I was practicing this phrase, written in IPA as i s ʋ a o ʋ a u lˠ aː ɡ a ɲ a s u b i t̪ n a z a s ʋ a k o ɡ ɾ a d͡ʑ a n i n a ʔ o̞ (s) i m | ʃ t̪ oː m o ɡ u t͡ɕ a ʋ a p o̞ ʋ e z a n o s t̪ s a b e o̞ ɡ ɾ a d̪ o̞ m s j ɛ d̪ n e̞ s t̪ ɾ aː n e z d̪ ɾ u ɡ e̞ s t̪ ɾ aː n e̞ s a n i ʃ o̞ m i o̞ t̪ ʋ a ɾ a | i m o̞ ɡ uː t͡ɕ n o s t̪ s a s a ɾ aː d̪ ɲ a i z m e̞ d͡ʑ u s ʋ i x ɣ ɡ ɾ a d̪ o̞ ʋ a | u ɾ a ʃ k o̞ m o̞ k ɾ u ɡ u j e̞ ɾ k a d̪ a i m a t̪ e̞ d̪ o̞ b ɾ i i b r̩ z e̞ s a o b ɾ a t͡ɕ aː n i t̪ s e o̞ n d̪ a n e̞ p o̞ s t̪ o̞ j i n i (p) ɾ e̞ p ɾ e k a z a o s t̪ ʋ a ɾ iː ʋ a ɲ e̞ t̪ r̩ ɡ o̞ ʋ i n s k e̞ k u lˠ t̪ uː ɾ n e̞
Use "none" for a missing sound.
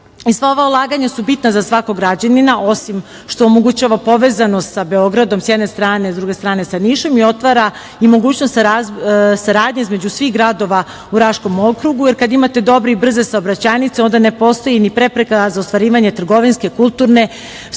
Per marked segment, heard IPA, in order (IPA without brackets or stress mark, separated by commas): s, p